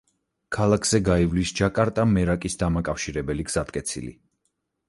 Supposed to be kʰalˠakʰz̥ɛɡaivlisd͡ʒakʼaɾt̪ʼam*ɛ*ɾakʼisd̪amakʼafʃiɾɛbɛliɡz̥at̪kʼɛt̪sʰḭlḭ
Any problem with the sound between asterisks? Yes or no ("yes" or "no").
no